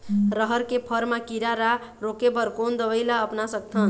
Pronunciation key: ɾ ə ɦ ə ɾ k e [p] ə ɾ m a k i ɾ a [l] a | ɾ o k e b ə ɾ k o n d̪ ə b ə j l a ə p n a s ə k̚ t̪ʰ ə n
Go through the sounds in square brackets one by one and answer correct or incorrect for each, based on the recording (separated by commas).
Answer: incorrect, incorrect